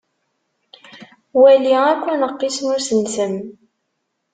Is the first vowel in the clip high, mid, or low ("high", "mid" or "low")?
low